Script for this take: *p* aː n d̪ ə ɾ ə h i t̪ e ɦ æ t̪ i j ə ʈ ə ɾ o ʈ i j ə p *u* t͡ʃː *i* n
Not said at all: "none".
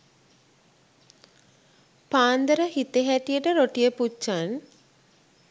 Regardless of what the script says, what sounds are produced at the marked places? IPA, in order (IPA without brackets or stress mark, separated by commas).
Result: p, u, a